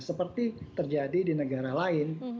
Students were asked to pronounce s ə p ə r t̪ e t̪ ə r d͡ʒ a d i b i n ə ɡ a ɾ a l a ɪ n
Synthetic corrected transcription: s ə p ə r t̪ i t̪ ə r d͡ʒ a d i d i n ə ɡ a ɾ a l a ɪ n